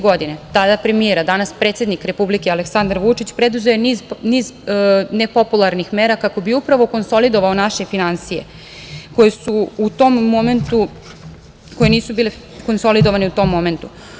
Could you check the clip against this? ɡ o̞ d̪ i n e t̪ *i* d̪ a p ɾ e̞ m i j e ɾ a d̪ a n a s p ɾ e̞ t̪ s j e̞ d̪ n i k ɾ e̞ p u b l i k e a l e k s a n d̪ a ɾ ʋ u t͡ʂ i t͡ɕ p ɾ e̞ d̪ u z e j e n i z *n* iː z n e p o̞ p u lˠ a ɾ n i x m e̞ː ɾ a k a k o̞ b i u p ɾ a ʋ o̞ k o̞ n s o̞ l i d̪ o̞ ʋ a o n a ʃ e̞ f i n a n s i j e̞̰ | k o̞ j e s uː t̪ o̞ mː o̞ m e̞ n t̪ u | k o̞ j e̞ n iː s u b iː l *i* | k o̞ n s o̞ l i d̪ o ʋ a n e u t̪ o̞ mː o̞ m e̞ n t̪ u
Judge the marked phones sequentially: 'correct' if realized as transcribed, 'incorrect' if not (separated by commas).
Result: incorrect, correct, incorrect